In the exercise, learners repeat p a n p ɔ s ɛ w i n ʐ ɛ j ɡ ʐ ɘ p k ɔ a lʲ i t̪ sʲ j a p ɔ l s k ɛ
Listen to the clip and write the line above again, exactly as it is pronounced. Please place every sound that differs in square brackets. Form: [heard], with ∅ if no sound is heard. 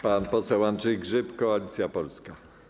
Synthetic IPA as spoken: p a n p ɔ s ɛ w [a] n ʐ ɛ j ɡ ʐ ɘ p k ɔ a lʲ i t̪ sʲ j a p ɔ l s k [a]